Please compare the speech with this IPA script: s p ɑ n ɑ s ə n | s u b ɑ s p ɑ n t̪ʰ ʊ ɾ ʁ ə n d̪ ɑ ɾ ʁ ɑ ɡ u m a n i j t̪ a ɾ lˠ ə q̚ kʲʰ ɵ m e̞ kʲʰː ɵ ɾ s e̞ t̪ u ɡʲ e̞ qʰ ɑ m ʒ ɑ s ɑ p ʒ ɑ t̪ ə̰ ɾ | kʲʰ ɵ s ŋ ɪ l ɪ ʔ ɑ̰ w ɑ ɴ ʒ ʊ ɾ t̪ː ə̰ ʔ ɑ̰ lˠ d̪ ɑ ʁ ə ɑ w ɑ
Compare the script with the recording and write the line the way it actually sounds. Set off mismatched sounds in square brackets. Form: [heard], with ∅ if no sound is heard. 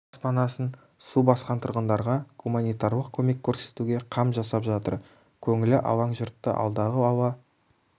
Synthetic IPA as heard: s p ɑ n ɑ s ə n | s u b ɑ s [q] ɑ n t̪ʰ ʊ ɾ ʁ ə n d̪ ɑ ɾ ʁ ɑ ɡ u m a n i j t̪ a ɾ lˠ ə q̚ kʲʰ ɵ m e̞ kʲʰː ɵ ɾ s e̞ t̪ u ɡʲ e̞ qʰ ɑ m ʒ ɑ s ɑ p ʒ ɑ t̪ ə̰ ɾ | kʲʰ ɵ [∅] ŋ ɪ l ɪ ʔ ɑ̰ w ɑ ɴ ʒ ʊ ɾ t̪ː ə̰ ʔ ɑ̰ lˠ d̪ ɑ ʁ ə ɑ w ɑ